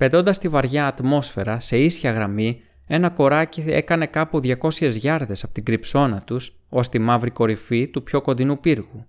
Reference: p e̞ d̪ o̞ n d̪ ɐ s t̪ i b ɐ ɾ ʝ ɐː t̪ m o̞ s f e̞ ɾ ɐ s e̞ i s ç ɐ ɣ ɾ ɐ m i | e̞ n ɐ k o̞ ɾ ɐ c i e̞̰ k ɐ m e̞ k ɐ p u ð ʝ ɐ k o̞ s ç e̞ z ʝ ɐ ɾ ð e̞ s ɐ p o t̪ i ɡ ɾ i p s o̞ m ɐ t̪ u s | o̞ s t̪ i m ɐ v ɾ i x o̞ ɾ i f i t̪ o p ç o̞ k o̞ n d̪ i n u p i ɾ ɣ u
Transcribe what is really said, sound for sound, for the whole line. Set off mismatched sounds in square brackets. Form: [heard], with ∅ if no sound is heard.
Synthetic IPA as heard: p e̞ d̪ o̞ n d̪ ɐ s t̪ i [v] ɐ ɾ ʝ ɐː t̪ m o̞ s f e̞ ɾ ɐ s e̞ i s ç ɐ ɣ ɾ ɐ m i | e̞ n ɐ k o̞ ɾ ɐ c i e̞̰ k ɐ [n] e̞ k ɐ p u ð ʝ ɐ k o̞ s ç e̞ z ʝ ɐ ɾ ð e̞ s ɐ p o t̪ i ɡ ɾ i p s o̞ [n] ɐ t̪ u s | o̞ s t̪ i m ɐ v ɾ i [k] o̞ ɾ i f i t̪ [u] p ç o̞ k o̞ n d̪ i n u p i ɾ ɣ u